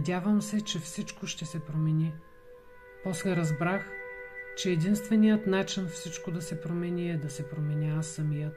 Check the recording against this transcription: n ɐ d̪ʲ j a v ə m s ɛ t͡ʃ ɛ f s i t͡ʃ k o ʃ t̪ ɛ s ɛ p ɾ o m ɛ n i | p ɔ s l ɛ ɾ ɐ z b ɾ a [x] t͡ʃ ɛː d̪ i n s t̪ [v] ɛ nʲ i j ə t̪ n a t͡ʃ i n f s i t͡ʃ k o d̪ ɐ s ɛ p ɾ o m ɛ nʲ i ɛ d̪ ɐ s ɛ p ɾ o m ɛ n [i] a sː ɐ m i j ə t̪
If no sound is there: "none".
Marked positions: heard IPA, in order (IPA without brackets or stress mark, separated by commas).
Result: x, v, i